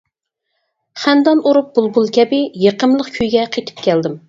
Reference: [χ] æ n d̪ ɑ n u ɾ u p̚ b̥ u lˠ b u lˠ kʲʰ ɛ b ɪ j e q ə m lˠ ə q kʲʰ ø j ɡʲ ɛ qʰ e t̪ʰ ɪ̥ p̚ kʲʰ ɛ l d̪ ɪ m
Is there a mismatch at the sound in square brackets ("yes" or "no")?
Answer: no